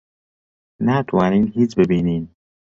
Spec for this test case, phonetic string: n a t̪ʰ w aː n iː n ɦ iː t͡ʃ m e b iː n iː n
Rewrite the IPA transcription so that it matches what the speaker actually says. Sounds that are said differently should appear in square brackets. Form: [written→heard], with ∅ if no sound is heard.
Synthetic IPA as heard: n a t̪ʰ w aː n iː n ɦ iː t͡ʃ [m→b] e b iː n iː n